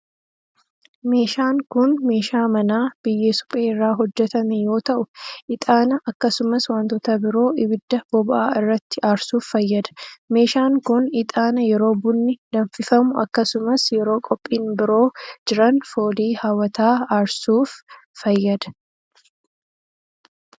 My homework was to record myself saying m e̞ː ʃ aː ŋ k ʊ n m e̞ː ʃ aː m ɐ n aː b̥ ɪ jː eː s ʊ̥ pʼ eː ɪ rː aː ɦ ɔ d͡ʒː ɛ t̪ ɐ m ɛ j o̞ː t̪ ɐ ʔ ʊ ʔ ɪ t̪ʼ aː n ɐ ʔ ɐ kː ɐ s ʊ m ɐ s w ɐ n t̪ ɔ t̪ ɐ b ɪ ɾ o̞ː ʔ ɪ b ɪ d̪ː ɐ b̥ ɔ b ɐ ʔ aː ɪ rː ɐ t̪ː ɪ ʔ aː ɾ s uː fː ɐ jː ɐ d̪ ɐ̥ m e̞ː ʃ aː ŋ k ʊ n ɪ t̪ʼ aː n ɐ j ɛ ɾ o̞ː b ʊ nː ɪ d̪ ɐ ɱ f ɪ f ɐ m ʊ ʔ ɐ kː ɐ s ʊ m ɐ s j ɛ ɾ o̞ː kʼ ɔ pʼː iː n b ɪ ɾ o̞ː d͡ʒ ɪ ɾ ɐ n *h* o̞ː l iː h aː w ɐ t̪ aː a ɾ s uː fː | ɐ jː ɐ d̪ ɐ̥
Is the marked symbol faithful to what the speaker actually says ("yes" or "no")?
no